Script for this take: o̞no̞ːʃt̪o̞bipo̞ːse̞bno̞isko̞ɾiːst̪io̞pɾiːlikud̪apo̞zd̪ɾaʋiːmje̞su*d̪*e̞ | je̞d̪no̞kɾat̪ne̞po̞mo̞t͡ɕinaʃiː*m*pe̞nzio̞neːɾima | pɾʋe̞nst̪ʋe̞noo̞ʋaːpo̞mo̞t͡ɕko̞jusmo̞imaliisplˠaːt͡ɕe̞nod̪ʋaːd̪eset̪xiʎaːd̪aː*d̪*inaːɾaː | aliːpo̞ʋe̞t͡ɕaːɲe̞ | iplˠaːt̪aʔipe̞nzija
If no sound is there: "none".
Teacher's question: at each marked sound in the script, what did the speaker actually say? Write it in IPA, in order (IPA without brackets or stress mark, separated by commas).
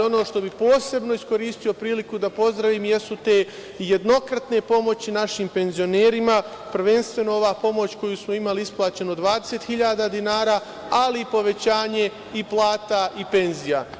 t̪, m, d̪